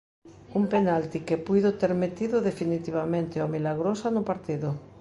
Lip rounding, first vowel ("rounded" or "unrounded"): rounded